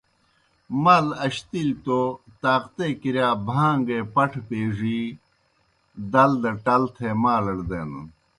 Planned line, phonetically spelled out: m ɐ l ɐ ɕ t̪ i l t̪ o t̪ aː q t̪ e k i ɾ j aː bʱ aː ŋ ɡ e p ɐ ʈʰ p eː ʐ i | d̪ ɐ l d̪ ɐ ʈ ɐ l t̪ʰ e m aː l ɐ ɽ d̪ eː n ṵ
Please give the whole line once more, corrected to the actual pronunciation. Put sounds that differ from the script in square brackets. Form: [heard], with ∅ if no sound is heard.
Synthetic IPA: m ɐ l ɐ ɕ t̪ i l t̪ o t̪ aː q t̪ e k i ɾ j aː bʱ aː ŋ ɡ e p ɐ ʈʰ p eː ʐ i | d̪ ɐ l d̪ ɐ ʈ ɐ l t̪ʰ e m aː l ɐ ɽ d̪ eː n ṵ